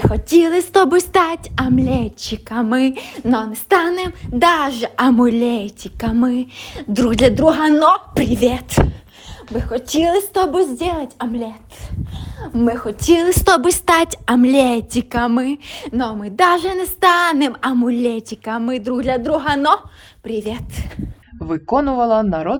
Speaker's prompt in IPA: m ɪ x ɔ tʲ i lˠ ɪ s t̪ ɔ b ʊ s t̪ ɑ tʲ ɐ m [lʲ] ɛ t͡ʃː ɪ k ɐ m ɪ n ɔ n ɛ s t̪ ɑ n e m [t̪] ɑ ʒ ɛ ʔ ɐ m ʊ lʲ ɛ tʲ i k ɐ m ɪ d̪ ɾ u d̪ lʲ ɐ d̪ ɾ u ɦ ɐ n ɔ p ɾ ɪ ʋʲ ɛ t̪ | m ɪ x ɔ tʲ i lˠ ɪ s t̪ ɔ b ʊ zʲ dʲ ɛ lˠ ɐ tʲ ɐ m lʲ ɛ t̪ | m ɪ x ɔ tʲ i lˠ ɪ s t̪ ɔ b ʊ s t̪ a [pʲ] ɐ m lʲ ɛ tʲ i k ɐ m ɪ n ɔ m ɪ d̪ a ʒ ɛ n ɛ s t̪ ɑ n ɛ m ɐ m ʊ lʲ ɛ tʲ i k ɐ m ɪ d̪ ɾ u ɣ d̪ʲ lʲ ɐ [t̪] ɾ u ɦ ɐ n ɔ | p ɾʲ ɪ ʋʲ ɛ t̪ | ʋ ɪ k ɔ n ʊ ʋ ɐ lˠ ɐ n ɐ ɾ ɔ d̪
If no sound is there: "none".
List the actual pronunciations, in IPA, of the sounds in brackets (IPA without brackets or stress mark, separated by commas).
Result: lʲ, d̪, tʲ, d̪